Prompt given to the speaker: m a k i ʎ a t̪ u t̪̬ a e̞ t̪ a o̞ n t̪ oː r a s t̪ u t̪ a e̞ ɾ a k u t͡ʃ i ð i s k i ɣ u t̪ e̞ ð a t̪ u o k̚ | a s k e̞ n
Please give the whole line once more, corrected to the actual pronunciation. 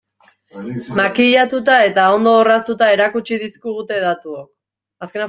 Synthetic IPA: m a k i ʎ a t̪ u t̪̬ a e̞ t̪ a o̞ n d̪ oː r a s t̪ u t̪ a e̞ ɾ a k u t͡ʃ i ð i s k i ɣ u t̪ e̞ ð a t̪ u o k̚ | a s k e̞ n